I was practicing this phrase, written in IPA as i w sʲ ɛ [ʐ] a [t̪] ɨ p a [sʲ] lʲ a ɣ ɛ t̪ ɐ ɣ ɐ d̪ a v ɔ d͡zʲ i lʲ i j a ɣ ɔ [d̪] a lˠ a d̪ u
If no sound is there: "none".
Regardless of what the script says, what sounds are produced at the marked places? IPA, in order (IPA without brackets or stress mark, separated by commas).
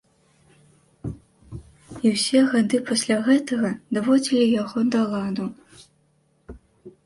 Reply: ɣ, d̪, sʲ, d̪